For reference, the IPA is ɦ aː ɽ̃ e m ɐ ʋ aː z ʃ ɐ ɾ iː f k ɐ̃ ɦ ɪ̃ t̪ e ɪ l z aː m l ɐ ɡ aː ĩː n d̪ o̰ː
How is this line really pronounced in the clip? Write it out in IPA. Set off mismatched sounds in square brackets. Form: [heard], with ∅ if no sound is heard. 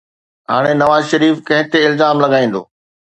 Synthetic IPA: ɦ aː ɽ̃ e [n] ɐ ʋ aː z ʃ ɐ ɾ iː f k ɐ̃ ɦ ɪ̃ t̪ e ɪ l z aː m l ɐ ɡ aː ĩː n d̪ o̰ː